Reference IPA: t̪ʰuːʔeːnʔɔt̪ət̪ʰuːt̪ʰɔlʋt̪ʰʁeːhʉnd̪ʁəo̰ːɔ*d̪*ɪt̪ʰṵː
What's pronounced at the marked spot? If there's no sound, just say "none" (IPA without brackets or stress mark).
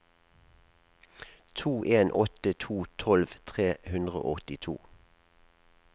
t̪